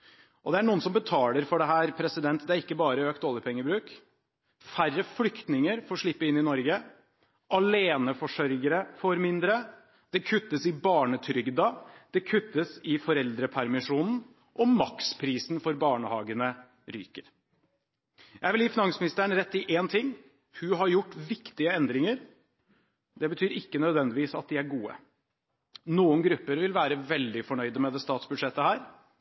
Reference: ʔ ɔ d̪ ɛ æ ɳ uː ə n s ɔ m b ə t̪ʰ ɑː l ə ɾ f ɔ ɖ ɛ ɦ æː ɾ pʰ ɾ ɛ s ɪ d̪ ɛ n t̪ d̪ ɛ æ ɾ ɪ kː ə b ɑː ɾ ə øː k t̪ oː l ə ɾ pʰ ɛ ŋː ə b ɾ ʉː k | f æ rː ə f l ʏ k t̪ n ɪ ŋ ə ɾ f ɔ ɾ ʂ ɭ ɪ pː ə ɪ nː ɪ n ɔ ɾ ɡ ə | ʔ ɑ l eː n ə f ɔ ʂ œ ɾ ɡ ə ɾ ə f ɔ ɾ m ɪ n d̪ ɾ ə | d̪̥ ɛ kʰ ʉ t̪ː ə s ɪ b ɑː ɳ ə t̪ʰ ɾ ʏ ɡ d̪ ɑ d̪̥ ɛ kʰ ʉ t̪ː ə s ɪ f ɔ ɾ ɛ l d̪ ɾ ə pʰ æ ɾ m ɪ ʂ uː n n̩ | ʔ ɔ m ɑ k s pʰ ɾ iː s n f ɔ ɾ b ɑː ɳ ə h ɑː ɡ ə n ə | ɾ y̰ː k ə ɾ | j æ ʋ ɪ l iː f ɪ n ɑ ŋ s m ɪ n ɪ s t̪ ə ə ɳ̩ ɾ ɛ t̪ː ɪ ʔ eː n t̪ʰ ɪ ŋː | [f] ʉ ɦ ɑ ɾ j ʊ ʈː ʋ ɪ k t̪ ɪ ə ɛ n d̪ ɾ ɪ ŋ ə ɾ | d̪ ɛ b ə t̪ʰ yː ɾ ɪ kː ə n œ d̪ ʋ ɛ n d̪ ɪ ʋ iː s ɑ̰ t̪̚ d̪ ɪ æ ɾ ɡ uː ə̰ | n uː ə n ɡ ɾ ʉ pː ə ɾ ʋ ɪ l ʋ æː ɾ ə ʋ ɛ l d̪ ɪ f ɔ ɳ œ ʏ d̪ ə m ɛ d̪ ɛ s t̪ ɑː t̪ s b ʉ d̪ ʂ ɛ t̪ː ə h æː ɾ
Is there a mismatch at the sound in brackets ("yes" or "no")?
yes